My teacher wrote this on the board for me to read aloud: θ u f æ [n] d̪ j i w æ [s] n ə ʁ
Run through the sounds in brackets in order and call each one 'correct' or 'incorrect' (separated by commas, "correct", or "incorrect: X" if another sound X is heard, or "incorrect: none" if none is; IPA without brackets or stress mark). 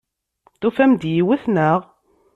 incorrect: m, incorrect: θ